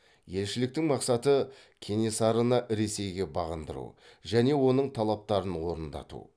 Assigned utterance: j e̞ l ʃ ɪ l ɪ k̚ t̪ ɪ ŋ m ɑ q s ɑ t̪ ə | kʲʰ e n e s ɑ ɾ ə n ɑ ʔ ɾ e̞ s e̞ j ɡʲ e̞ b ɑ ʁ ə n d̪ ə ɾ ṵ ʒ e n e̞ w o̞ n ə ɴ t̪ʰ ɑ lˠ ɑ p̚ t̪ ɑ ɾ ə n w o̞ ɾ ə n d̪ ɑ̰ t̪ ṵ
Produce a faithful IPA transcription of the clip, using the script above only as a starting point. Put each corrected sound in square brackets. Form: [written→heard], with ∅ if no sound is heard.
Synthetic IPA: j e̞ l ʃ ɪ l ɪ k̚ t̪ ɪ ŋ m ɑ q s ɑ t̪ ə | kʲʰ e n e s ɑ ɾ ə n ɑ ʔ ɾ e̞ s e̞ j ɡʲ e̞ b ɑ ʁ ə n d̪ ə ɾ ṵ ʒ [e→æ] n e̞ w o̞ n ə ɴ t̪ʰ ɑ lˠ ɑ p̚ t̪ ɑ ɾ ə n w o̞ ɾ ə n d̪ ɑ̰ t̪ ṵ